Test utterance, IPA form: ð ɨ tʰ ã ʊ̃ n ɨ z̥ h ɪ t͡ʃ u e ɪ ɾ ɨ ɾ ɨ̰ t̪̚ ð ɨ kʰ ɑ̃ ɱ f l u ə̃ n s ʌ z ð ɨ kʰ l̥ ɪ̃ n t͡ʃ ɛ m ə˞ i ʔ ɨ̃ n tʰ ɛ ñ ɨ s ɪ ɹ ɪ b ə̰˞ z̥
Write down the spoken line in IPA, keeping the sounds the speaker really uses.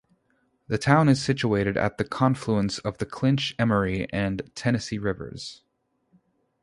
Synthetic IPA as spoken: ð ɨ tʰ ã ʊ̃ n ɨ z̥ s ɪ t͡ʃ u e ɪ ɾ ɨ ɾ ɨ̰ t̪̚ ð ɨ kʰ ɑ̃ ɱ f l u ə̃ n s ʌ v ð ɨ kʰ l̥ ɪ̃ n t͡ʃ ɛ m ə˞ i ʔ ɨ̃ n tʰ ɛ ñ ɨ s i ɹ ɪ v ə̰˞ z̥